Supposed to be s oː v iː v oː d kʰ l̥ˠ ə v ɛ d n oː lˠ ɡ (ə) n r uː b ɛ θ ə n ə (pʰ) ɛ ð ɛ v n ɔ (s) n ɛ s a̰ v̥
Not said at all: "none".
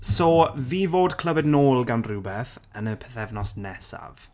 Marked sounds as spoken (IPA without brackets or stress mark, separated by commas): a, pʰ, s